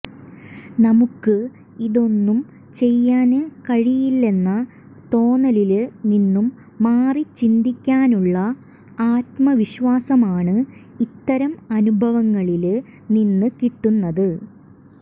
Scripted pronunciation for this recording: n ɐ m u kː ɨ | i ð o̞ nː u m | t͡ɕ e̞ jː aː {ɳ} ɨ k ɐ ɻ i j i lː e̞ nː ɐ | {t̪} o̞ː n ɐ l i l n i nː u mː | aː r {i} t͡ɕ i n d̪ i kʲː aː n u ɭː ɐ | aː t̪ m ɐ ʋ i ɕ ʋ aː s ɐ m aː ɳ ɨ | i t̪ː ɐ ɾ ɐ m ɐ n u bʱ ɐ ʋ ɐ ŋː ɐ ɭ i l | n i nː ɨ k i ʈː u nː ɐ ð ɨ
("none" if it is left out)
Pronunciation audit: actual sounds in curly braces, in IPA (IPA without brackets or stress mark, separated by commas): n, t̪, i